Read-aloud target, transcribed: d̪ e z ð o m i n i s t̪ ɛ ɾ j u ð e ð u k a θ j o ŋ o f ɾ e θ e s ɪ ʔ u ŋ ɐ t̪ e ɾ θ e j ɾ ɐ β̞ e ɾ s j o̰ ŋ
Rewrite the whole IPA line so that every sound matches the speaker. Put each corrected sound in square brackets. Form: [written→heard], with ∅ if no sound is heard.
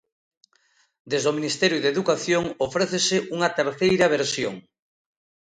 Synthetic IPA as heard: d̪ e z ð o m i n i s t̪ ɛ ɾ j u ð e ð u k a θ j o ŋ o f ɾ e θ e s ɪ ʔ u ŋ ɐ t̪ e ɾ θ e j ɾ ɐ β̞ e ɾ s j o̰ ŋ